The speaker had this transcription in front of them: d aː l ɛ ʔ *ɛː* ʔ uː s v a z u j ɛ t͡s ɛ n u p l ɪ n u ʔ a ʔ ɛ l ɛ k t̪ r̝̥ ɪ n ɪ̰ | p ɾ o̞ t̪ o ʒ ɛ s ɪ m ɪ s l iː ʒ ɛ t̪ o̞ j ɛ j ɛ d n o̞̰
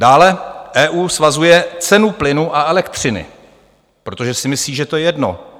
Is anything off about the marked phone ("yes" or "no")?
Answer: no